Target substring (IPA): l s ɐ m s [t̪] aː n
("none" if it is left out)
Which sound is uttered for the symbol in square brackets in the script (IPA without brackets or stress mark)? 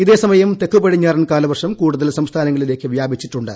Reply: t̪ʰ